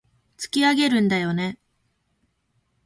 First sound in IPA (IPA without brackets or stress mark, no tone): t͡s